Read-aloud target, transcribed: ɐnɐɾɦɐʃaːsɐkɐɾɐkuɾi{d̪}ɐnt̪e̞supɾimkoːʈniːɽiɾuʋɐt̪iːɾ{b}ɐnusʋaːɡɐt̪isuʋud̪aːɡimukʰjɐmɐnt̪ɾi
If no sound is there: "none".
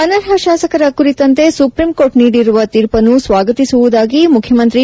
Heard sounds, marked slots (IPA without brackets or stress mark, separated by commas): t̪, p